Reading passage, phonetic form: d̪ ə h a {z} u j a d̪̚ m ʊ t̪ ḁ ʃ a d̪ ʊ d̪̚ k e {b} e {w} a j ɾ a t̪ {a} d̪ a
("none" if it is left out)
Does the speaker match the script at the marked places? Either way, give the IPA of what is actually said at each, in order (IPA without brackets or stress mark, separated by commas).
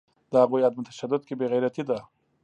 ɣ, b, ɣ, i